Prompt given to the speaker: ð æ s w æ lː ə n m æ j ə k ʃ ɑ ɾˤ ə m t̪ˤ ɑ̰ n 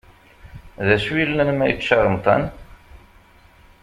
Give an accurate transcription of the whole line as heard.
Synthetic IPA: ð æ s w i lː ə n m æ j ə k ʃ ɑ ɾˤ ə m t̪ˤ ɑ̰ n